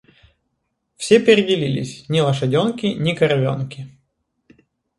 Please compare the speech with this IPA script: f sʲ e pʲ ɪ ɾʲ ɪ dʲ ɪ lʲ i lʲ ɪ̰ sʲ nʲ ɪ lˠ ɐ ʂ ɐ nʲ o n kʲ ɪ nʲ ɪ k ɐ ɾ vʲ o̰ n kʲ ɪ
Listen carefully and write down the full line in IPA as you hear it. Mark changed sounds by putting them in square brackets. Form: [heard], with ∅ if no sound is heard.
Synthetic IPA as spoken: f sʲ e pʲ ɪ ɾʲ ɪ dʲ ɪ lʲ i lʲ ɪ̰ sʲ nʲ ɪ lˠ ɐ ʂ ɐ [dʲ] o n kʲ ɪ nʲ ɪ k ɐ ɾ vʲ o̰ n kʲ ɪ

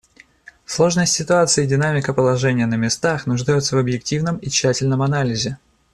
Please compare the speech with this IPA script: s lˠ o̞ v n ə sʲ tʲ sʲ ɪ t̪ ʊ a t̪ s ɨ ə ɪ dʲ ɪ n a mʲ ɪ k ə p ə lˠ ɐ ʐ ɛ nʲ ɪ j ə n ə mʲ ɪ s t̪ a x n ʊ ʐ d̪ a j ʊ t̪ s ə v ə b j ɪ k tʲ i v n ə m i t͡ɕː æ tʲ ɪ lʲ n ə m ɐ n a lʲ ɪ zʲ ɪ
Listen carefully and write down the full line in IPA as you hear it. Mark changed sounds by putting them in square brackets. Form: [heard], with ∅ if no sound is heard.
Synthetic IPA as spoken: s lˠ o̞ [ʐ] n ə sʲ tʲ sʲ ɪ t̪ ʊ a t̪ s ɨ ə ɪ dʲ ɪ n a mʲ ɪ k ə p ə lˠ ɐ ʐ ɛ nʲ ɪ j ə n ə mʲ ɪ s t̪ a x n ʊ ʐ d̪ a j ʊ t̪ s ə v ə b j ɪ k tʲ i v n ə m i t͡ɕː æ tʲ ɪ lʲ n ə m ɐ n a lʲ ɪ zʲ ɪ

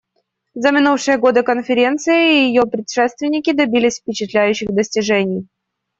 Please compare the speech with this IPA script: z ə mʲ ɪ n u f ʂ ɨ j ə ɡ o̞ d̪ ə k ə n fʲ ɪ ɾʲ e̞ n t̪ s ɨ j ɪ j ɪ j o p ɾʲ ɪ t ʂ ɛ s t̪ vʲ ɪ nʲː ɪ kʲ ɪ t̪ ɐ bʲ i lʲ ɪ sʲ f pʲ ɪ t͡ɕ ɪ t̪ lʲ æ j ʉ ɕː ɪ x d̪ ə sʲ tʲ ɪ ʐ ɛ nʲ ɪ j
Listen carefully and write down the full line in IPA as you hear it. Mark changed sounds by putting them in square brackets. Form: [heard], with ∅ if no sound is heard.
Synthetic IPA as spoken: z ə mʲ ɪ n u f ʂ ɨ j ə ɡ o̞ d̪ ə k ə n fʲ ɪ ɾʲ e̞ n t̪ s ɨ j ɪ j ɪ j o p ɾʲ ɪ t ʂ ɛ s t̪ vʲ ɪ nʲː ɪ kʲ ɪ [d̪] ɐ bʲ i lʲ ɪ sʲ f pʲ ɪ t͡ɕ ɪ t̪ lʲ æ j ʉ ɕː ɪ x d̪ ə sʲ tʲ ɪ ʐ ɛ nʲ ɪ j

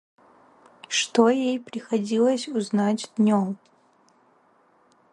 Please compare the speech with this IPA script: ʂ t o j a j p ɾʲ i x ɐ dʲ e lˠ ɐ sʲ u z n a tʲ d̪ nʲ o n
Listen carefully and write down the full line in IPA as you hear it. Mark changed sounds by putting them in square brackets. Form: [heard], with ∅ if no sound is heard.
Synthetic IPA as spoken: ʂ t o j [e] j p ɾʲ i x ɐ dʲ [i] lˠ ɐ sʲ u z n a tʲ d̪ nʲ o [m]

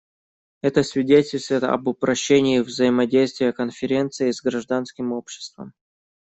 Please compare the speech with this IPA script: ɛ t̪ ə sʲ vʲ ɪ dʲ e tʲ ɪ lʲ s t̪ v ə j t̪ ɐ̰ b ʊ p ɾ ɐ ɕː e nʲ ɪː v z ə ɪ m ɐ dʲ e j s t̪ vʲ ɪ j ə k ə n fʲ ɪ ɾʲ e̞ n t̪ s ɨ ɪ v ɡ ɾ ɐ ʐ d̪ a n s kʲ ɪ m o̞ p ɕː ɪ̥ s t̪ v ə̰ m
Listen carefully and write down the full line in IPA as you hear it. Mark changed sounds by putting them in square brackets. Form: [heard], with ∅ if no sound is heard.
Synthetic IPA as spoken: ɛ t̪ ə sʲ vʲ ɪ dʲ e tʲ ɪ lʲ s t̪ v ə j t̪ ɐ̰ b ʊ p ɾ ɐ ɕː e nʲ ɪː v z ə ɪ m ɐ dʲ e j s t̪ vʲ ɪ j ə k ə n fʲ ɪ ɾʲ e̞ n t̪ s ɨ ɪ [z] ɡ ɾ ɐ ʐ d̪ a n s kʲ ɪ m o̞ p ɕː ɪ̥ s t̪ v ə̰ m

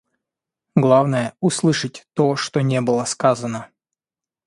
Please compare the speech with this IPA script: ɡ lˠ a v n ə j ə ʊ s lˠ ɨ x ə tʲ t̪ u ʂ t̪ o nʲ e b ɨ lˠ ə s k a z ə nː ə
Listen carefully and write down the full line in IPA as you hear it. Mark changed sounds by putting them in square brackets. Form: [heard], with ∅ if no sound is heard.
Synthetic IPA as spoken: ɡ lˠ a v n ə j ə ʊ s lˠ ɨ [ʂ] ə tʲ t̪ [o] ʂ t̪ o nʲ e b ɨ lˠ ə s k a z ə [n] ə

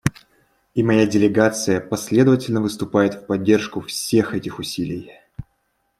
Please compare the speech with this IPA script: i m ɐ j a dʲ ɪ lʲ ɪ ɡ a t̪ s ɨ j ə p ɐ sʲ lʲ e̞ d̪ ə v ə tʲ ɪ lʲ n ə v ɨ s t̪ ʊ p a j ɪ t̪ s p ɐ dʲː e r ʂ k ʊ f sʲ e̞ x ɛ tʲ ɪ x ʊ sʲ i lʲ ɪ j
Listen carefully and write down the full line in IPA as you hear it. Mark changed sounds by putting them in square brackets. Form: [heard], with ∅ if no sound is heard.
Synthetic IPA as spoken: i m ɐ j a dʲ ɪ lʲ ɪ ɡ a t̪ s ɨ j ə p ɐ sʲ lʲ e̞ d̪ ə v ə tʲ ɪ lʲ n ə v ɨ s t̪ ʊ p a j ɪ t̪ [f] p ɐ dʲː e r ʂ k ʊ f sʲ e̞ x ɛ tʲ ɪ x ʊ sʲ i lʲ ɪ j

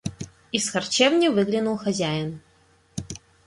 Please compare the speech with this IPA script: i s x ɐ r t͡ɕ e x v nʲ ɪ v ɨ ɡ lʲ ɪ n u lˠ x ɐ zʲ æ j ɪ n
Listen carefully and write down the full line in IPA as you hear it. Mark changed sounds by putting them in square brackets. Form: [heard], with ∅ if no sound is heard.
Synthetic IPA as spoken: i s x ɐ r t͡ɕ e [∅] v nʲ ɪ v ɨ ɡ lʲ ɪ n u lˠ x ɐ zʲ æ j ɪ n

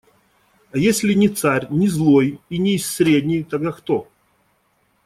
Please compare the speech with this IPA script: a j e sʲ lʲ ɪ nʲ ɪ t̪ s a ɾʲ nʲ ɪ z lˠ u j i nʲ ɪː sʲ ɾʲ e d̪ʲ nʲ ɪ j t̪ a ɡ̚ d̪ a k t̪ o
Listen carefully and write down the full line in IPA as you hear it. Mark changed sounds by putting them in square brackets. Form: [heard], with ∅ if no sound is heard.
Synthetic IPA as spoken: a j e sʲ lʲ ɪ nʲ ɪ t̪ s a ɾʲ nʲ ɪ z lˠ [o] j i nʲ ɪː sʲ ɾʲ e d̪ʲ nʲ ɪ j t̪ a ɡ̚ d̪ a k t̪ o

